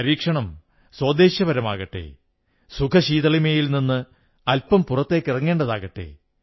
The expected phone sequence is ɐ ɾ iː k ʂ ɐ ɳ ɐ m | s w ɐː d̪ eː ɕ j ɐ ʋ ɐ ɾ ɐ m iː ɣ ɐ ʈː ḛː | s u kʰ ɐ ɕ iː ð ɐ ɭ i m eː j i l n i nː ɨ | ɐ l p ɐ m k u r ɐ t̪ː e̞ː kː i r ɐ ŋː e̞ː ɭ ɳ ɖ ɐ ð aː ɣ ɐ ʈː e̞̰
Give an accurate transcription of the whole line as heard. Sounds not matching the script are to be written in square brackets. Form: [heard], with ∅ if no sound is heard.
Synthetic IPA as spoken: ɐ ɾ iː k ʂ ɐ ɳ ɐ m | s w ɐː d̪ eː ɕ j ɐ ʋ ɐ ɾ ɐ m [aː] ɣ ɐ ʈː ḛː | s u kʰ ɐ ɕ iː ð ɐ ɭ i m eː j i l n i nː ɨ | ɐ l p ɐ m [p] u r ɐ t̪ː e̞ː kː i r ɐ ŋː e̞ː [∅] ɳ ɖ ɐ ð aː ɣ ɐ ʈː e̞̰